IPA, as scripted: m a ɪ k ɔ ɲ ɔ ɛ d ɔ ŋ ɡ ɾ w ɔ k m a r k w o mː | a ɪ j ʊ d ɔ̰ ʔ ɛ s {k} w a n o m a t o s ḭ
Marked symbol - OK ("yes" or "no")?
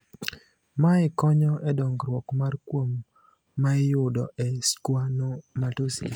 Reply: yes